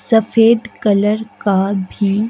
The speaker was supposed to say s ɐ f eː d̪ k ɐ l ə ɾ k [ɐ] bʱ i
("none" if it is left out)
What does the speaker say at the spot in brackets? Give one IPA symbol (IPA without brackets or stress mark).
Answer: a